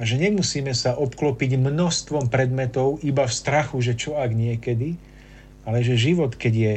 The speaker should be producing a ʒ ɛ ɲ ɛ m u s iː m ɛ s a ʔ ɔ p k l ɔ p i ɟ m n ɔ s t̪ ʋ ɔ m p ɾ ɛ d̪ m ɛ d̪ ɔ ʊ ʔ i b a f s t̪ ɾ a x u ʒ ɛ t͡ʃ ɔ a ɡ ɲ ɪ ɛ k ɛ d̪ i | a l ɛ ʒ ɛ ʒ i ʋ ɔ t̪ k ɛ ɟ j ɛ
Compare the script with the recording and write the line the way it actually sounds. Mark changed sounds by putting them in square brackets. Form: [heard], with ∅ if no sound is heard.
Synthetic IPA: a ʒ ɛ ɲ ɛ m u s iː m ɛ s a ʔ ɔ p k l ɔ p i ɟ m n ɔ s t̪ ʋ ɔ m p ɾ ɛ d̪ m ɛ [t̪] ɔ ʊ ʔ i b a f s t̪ ɾ a x u ʒ ɛ t͡ʃ ɔ a ɡ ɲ ɪ ɛ k ɛ d̪ i | a l ɛ ʒ ɛ ʒ i ʋ ɔ t̪ k ɛ ɟ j ɛ